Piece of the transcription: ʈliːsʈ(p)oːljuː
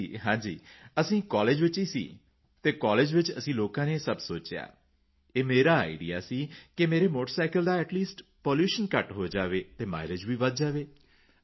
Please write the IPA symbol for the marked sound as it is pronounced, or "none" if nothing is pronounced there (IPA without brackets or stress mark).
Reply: p